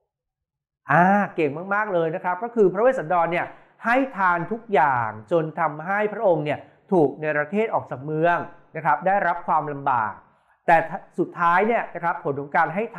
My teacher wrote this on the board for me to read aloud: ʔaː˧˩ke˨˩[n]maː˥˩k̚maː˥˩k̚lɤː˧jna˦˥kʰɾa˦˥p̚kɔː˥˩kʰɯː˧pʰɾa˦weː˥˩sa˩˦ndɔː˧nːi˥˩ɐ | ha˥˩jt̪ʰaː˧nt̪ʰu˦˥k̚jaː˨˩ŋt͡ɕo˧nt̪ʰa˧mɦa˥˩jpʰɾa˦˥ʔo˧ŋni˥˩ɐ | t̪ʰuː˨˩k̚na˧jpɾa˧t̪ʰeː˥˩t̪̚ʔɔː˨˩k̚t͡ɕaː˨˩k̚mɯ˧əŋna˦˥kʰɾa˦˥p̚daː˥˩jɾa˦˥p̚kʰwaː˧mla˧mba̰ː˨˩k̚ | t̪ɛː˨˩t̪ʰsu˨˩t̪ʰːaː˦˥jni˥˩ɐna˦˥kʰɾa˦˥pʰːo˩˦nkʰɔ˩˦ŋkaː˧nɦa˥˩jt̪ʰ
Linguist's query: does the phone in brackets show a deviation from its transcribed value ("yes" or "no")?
yes